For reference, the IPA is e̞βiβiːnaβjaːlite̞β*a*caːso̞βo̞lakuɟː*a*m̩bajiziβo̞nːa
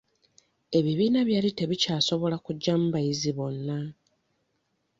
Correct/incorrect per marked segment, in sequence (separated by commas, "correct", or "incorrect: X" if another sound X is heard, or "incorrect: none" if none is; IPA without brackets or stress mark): incorrect: i, correct